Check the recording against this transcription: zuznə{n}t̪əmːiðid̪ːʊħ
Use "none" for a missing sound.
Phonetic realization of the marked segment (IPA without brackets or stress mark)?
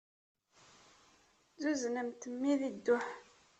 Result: m